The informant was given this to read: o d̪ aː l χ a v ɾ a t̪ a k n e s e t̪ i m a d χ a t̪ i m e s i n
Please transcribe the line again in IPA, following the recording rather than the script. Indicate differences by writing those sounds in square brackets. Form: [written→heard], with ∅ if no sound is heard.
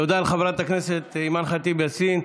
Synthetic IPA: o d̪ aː l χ a v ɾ a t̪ a k n e s e t̪ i m a [d→n] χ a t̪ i [m→b] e s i n

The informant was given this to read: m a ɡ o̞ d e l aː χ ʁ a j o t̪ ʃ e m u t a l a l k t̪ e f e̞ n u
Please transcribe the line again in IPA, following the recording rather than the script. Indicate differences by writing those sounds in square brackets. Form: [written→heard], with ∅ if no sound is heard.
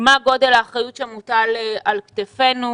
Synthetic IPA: m a ɡ o̞ d e l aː χ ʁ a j [o→u] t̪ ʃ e m u t a l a l k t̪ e f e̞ n u

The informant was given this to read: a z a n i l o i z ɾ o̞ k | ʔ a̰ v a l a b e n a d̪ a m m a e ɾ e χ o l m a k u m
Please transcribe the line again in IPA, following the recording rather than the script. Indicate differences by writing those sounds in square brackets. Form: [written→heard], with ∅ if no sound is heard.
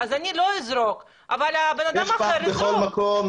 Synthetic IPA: a z a n i l o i z ɾ o̞ k | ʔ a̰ v a l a b e n a d̪ a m m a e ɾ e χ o l m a k [u→o] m

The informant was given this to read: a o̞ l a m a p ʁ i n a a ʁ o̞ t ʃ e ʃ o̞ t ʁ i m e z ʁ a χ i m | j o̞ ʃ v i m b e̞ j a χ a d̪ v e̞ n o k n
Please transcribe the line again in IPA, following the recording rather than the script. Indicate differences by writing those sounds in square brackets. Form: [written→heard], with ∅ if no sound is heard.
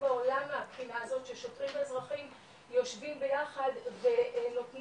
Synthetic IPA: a o̞ l a m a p [ʁ→χ] i n a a [ʁ→z] o̞ t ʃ e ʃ o̞ t ʁ i m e z ʁ a χ i m | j o̞ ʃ v i m b e̞ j a χ a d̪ v e̞ n o [k→t] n

